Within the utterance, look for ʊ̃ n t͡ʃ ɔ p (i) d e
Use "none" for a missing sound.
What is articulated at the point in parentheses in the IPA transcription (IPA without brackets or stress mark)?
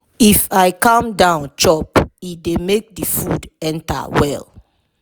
i